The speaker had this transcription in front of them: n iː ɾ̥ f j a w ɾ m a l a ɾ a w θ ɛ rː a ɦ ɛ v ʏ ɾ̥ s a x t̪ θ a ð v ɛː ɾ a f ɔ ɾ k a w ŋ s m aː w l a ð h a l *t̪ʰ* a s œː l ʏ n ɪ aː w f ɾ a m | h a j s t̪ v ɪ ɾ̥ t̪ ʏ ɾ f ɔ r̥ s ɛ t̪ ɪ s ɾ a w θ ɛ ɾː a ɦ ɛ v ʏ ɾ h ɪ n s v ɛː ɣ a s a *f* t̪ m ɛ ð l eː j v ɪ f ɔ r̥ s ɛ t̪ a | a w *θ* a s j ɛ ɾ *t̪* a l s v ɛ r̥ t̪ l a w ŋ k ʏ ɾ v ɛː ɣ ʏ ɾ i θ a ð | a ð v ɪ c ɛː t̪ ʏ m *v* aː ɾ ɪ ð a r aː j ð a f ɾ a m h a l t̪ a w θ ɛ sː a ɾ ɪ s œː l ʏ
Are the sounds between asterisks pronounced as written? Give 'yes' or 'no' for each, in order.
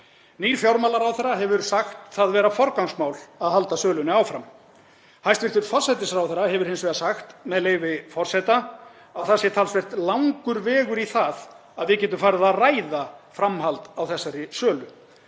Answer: no, no, yes, no, no

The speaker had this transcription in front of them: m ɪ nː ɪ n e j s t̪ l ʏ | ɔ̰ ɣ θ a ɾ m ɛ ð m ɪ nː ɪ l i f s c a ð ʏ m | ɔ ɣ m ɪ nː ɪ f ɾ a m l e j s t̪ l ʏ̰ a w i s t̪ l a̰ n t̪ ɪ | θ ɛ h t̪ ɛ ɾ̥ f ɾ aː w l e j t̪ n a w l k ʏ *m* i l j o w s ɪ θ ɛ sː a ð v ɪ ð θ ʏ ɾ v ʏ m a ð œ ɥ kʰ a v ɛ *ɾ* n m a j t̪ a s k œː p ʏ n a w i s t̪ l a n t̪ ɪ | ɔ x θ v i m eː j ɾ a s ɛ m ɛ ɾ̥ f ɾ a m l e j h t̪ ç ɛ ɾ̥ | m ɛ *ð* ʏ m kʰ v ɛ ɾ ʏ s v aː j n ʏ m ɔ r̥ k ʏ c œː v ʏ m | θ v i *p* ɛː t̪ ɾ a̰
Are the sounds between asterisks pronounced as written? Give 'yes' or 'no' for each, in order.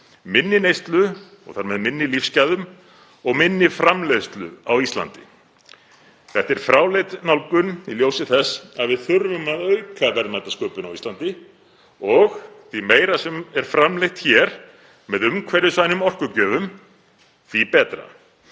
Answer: no, yes, yes, yes

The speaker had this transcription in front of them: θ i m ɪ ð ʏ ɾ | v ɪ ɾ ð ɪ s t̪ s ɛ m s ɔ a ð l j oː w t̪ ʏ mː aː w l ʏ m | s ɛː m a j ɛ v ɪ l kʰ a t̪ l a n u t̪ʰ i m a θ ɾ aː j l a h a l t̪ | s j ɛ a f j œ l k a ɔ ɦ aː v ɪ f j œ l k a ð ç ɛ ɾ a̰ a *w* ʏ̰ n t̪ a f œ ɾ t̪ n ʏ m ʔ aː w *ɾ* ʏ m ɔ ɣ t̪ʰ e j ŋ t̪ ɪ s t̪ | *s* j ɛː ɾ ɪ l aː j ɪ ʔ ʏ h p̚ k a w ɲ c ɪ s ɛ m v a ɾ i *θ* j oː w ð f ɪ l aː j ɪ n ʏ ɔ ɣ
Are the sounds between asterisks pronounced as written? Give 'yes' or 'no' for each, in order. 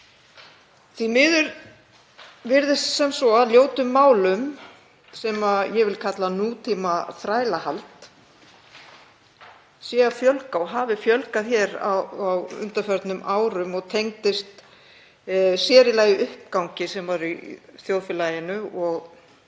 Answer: yes, yes, yes, yes

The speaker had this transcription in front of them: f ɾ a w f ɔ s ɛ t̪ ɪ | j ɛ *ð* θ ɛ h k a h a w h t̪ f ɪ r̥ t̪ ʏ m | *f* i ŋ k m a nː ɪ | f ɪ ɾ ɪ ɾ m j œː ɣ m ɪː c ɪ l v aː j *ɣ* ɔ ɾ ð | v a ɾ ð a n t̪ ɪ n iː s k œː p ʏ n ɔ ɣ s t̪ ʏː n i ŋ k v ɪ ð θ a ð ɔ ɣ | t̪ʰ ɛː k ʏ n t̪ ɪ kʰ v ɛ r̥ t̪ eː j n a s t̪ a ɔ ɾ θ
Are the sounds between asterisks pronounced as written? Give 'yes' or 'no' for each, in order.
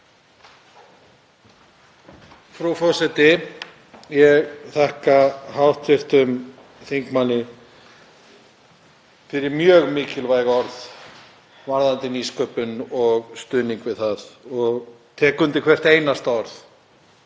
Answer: no, no, yes

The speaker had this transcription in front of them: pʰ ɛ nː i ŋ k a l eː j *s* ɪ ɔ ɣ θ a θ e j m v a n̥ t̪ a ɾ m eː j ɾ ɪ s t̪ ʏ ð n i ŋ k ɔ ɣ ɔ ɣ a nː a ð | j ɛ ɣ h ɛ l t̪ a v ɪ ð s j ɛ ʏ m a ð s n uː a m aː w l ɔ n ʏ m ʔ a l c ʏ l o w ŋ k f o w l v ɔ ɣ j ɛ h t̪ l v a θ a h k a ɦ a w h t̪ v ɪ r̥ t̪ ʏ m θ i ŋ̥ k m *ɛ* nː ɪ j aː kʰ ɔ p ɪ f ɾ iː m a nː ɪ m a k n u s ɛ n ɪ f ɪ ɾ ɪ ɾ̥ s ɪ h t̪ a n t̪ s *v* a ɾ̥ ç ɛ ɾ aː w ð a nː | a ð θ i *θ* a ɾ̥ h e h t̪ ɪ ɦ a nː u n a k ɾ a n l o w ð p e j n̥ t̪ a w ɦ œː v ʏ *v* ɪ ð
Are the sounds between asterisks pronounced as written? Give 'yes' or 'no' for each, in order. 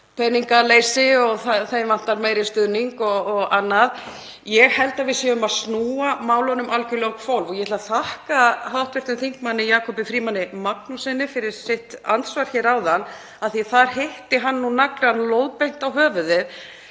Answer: yes, no, yes, yes, no

